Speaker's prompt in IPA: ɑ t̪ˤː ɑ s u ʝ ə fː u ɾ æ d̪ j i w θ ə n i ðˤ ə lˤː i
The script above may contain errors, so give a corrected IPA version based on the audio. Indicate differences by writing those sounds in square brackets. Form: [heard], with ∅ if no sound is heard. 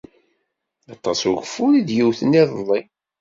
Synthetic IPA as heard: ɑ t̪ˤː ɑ s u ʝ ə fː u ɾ [i] d̪ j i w θ ə n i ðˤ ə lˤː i